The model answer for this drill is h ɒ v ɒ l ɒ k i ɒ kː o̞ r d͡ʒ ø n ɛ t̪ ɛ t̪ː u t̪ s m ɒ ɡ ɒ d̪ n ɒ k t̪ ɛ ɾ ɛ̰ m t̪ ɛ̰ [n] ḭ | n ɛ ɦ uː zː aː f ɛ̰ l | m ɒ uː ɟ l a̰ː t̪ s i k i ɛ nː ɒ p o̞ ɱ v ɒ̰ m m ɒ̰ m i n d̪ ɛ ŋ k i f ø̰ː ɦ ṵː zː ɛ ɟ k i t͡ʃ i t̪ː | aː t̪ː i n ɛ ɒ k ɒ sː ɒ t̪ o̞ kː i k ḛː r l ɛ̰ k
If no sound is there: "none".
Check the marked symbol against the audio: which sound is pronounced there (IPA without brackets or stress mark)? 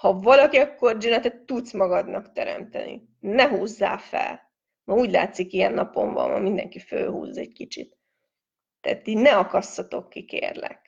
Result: n